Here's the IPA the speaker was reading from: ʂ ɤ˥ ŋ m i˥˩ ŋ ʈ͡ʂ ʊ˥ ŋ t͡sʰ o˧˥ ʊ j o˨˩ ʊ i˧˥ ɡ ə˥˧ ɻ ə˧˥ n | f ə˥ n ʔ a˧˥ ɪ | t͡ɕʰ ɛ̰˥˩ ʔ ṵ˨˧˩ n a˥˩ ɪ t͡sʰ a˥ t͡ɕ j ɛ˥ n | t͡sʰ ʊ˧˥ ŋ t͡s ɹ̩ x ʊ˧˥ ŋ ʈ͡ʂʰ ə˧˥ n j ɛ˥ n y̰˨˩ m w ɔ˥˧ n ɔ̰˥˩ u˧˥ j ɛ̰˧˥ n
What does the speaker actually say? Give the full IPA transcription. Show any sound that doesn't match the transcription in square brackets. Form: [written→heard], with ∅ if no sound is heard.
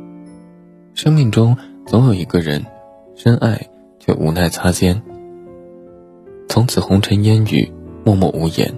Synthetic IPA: ʂ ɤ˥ ŋ m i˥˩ ŋ ʈ͡ʂ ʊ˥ ŋ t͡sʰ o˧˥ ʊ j o˨˩ ʊ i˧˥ ɡ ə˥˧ ɻ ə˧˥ n | [f→ʂ] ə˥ n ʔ [a˧˥→a˥˩] ɪ | t͡ɕʰ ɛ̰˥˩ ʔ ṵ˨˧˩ n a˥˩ ɪ t͡sʰ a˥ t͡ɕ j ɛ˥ n | t͡sʰ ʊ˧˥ ŋ [t͡s→t͡sʰ] ɹ̩ x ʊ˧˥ ŋ ʈ͡ʂʰ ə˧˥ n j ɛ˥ n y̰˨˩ m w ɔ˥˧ [n→m] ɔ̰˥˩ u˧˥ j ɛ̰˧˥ n